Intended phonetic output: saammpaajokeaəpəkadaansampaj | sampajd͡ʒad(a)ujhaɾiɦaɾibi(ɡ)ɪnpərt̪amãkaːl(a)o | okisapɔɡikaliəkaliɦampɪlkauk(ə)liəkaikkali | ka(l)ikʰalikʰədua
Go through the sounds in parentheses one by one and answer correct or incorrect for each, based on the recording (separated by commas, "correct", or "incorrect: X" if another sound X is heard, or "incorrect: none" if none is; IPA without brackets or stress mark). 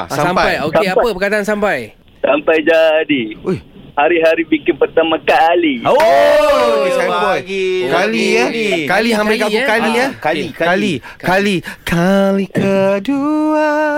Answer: incorrect: i, incorrect: k, incorrect: i, incorrect: a, correct